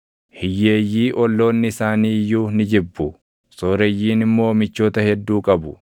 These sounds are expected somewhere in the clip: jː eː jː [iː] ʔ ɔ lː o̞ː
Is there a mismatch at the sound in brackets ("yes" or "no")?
no